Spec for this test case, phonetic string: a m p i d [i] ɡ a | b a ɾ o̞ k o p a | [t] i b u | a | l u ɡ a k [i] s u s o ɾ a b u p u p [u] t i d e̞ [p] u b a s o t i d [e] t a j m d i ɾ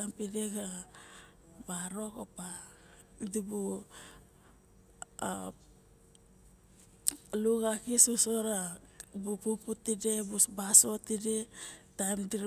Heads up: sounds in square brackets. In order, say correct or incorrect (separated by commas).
incorrect, incorrect, correct, correct, incorrect, correct